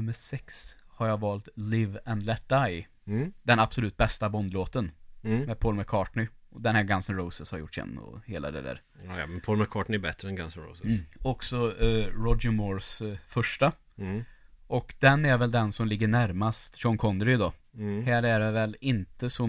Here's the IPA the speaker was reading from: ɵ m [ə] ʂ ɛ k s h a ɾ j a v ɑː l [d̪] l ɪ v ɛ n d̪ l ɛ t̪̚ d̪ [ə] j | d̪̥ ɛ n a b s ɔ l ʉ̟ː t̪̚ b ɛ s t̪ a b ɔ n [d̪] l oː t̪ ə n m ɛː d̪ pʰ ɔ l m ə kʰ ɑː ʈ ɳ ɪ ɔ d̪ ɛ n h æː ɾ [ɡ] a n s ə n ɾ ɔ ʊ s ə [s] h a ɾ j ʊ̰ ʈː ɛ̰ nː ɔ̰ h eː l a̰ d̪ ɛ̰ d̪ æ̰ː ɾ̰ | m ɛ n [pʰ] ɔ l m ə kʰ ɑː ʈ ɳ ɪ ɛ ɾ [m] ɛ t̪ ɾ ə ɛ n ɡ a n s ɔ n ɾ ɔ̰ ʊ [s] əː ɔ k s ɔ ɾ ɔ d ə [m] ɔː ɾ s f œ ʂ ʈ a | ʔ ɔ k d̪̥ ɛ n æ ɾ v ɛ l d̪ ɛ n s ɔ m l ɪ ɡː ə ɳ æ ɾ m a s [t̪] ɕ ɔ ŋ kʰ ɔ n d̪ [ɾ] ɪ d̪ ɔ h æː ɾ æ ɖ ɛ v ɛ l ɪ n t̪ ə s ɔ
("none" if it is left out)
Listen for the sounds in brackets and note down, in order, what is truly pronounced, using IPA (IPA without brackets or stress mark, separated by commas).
ə, t̪, a, d̪, ɡ, s, pʰ, b, s, m, t̪, ɾ